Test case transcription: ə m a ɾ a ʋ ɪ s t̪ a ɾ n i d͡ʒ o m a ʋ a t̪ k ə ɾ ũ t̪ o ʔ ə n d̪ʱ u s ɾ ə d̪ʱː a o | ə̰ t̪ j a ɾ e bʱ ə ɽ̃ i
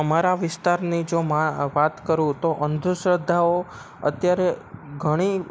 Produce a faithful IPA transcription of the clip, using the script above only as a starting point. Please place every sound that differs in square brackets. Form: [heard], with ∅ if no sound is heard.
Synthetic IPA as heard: ə m a ɾ a ʋ ɪ s t̪ a ɾ n i d͡ʒ o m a ʋ a t̪ k ə ɾ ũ t̪ o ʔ ə n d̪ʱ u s ɾ ə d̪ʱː a o | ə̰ t̪ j a ɾ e [ɡʱ] ə ɽ̃ i